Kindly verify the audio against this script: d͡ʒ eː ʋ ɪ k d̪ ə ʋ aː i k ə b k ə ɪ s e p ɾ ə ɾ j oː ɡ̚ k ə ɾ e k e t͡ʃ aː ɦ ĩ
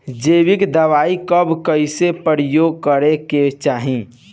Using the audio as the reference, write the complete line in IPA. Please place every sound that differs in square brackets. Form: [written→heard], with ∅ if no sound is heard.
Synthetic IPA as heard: d͡ʒ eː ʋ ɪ k d̪ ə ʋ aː i k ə b k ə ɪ s e p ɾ ə ɾ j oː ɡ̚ k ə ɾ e k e t͡ʃ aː ɦ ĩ